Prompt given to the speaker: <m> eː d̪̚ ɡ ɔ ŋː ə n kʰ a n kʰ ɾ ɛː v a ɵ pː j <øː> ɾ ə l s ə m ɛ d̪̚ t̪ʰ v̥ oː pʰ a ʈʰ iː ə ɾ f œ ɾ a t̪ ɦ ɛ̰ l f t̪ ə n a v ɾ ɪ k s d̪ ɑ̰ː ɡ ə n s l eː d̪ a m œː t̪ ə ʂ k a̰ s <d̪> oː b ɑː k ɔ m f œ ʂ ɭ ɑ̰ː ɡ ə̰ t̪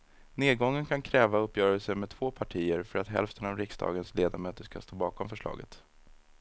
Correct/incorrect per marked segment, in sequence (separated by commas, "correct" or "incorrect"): incorrect, incorrect, incorrect